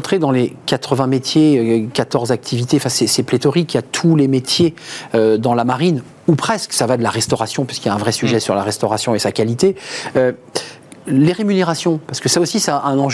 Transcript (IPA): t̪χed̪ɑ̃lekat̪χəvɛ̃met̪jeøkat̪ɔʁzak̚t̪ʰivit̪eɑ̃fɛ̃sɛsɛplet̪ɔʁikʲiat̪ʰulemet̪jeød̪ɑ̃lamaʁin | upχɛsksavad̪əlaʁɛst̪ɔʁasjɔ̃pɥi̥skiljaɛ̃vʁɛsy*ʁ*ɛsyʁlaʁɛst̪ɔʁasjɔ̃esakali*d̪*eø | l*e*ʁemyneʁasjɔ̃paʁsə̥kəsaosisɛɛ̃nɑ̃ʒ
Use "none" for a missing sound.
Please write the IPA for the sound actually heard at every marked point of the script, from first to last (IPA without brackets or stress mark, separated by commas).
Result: ʒ, t̪, e